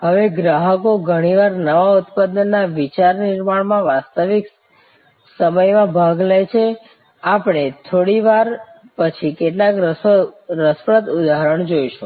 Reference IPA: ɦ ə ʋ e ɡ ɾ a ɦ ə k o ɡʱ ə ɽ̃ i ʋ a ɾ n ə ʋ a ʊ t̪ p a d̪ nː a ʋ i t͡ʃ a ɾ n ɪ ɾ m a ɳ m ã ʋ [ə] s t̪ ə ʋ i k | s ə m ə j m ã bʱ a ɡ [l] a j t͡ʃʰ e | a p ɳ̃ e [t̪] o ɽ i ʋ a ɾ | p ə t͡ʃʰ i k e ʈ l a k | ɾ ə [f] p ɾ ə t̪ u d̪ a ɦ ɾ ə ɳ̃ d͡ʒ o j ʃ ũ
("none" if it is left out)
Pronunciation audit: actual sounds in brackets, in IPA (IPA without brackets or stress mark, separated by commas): a, l, t̪ʰ, s